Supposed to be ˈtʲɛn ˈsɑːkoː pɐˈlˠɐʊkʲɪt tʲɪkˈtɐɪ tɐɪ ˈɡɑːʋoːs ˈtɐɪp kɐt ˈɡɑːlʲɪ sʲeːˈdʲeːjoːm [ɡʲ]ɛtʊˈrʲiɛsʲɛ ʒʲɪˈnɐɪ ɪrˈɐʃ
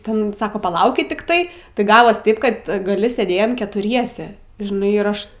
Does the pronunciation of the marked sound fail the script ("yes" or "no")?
yes